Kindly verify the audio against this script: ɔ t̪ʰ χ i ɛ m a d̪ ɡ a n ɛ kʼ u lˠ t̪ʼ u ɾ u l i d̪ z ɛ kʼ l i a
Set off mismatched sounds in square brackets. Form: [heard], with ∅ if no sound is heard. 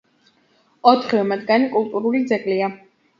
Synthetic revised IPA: ɔ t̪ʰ χ i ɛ m a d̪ ɡ a n [i] kʼ u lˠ t̪ʼ u ɾ u l i d̪ z ɛ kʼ l i a

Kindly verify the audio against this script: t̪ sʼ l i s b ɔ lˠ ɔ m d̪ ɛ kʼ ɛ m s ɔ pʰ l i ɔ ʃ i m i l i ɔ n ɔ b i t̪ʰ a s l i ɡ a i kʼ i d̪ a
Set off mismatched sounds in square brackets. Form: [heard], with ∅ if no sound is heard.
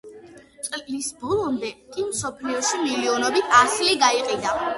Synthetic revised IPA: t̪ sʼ l i s b ɔ lˠ ɔ m d̪ ɛ kʼ [i] m s ɔ pʰ l i ɔ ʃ i m i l i ɔ n ɔ b i t̪ʰ a s l i ɡ a i [qʼ] i d̪ a

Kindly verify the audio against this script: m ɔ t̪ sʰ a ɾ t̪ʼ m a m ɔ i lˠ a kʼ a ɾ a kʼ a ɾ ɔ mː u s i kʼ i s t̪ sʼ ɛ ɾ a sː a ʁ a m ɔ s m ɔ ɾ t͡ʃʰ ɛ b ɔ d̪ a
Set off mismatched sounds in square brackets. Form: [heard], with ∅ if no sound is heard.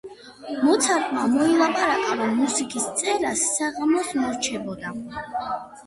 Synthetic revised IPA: m ɔ t̪ sʰ a ɾ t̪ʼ m a m ɔ i lˠ a [pʼ] a ɾ a kʼ a ɾ ɔ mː u s i kʼ i s t̪ sʼ ɛ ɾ a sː a ʁ a m ɔ s m ɔ ɾ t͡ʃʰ ɛ b ɔ d̪ a

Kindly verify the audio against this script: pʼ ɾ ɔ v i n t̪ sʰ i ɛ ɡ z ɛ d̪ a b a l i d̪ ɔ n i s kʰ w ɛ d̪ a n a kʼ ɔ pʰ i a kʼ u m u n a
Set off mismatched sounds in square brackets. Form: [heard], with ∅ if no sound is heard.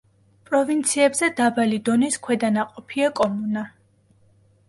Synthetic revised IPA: pʼ ɾ ɔ v i n t̪ sʰ i ɛ [b] z ɛ d̪ a b a l i d̪ ɔ n i s kʰ w ɛ d̪ a n a [qʼ] ɔ pʰ i a kʼ [ɔ] m u n a

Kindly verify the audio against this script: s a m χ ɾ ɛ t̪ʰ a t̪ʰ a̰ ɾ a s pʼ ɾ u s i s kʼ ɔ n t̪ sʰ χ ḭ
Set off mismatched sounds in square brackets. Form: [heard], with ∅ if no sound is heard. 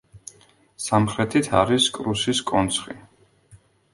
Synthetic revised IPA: s a m χ ɾ ɛ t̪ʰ [i] t̪ʰ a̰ ɾ [i] s [kʼ] ɾ u s i s kʼ ɔ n t̪ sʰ χ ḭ

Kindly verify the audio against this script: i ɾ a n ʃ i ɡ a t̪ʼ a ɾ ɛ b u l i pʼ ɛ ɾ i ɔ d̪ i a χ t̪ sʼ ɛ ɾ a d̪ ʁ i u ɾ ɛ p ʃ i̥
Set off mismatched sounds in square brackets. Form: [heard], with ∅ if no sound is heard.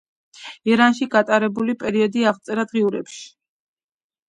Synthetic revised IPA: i ɾ a n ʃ i ɡ a t̪ʼ a ɾ ɛ b u l i pʼ ɛ ɾ i ɔ d̪ i a [ʁ] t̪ sʼ ɛ ɾ a d̪ ʁ i u ɾ ɛ p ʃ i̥

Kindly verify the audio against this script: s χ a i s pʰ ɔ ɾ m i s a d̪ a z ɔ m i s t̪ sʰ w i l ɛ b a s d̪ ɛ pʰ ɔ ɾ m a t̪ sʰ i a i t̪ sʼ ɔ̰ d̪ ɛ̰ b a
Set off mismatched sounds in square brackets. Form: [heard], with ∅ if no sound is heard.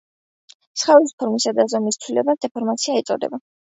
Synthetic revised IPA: s χ a i s pʰ ɔ ɾ m i s a d̪ a z ɔ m i s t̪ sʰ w i l ɛ b a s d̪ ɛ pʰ ɔ ɾ m a t̪ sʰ i a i t̪ sʼ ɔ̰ d̪ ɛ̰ b a

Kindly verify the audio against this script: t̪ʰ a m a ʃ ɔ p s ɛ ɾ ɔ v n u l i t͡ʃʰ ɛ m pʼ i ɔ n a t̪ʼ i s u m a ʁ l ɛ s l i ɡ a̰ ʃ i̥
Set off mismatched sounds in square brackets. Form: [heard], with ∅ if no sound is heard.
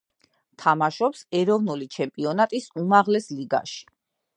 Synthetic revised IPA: t̪ʰ a m a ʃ ɔ p s ɛ ɾ ɔ v n u l i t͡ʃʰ ɛ m pʼ i ɔ n a t̪ʼ i s u m a ʁ l ɛ s l i ɡ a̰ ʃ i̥

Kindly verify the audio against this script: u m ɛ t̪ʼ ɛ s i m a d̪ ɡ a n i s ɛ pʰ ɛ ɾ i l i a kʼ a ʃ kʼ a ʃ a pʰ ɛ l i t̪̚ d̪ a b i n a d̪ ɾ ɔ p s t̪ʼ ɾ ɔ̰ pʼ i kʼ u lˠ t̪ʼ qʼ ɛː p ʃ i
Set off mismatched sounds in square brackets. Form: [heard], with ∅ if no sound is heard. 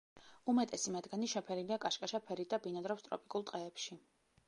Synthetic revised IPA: u m ɛ t̪ʼ ɛ s i m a d̪ ɡ a n i [ʃ] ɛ pʰ ɛ ɾ i l i a kʼ a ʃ kʼ a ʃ a pʰ ɛ [ɾ] i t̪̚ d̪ a b i n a d̪ ɾ ɔ p s t̪ʼ ɾ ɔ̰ pʼ i kʼ u lˠ t̪ʼ qʼ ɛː p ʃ i

